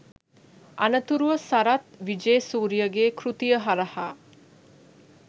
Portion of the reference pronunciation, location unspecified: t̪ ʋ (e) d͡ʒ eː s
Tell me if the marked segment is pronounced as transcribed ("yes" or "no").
no